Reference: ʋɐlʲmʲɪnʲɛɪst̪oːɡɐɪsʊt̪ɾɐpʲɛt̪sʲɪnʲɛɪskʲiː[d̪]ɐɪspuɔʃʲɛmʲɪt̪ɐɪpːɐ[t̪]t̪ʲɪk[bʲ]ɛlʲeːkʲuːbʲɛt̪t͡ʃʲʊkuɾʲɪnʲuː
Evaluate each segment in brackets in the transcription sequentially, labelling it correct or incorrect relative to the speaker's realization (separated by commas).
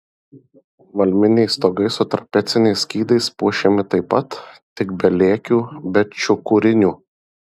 correct, correct, correct